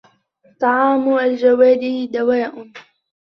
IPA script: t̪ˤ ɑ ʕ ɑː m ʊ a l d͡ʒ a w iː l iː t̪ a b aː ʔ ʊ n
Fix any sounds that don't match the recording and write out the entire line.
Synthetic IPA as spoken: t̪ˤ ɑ ʕ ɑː m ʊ a l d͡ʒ a w aː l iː d̪ a w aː ʔ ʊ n